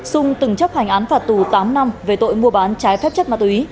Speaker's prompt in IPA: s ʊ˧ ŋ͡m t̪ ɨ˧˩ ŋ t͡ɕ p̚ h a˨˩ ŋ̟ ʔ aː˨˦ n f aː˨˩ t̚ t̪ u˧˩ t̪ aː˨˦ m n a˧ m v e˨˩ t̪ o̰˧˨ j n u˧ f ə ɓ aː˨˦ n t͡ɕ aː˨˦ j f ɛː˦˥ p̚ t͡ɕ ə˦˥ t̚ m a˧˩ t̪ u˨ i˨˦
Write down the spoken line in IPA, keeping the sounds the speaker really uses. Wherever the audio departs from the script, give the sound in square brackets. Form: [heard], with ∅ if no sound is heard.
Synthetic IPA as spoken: s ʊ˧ ŋ͡m t̪ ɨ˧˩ ŋ t͡ɕ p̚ h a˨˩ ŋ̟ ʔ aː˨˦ n f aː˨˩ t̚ t̪ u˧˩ t̪ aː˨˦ m n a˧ m v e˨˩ t̪ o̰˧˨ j [m] u˧ [∅] ə ɓ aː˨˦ n t͡ɕ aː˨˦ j f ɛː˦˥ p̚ t͡ɕ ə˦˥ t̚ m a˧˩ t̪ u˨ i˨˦